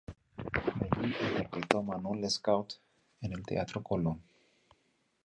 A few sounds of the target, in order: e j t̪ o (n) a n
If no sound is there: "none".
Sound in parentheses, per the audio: m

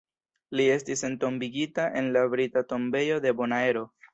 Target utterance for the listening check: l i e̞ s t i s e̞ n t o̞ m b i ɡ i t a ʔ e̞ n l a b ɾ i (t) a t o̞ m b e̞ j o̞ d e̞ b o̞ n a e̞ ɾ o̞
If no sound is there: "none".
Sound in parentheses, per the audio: t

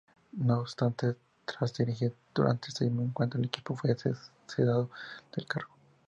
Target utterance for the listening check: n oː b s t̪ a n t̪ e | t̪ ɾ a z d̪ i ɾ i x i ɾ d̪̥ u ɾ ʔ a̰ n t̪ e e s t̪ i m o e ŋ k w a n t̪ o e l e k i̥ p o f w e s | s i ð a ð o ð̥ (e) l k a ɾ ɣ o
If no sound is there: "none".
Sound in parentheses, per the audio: e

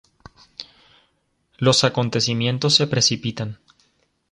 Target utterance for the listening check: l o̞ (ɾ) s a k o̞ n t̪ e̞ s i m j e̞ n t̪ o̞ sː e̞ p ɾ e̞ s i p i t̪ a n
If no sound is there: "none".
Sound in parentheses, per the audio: none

